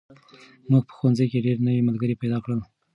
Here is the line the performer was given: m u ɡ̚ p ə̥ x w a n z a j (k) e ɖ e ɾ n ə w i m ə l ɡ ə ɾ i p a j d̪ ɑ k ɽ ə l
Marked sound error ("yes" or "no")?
no